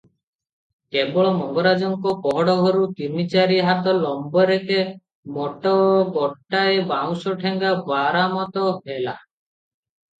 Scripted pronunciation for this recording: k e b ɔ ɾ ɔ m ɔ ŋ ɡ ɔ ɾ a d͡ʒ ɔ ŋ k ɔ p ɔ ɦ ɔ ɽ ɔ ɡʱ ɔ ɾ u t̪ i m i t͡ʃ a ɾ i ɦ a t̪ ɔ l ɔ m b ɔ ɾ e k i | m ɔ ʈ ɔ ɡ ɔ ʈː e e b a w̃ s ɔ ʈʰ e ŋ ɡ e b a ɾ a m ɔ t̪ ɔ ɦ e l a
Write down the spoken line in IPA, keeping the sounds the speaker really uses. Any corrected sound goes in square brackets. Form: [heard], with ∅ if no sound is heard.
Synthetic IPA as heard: k e b ɔ [ɭ] ɔ m ɔ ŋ ɡ ɔ ɾ a d͡ʒ ɔ ŋ k ɔ p ɔ ɦ ɔ ɽ ɔ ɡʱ ɔ ɾ u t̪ i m i t͡ʃ a ɾ i ɦ a t̪ ɔ l ɔ m b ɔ ɾ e k [e] | m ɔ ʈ ɔ ɡ ɔ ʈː [a] e b a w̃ s ɔ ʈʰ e ŋ ɡ [a] b a ɾ a m ɔ t̪ ɔ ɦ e l a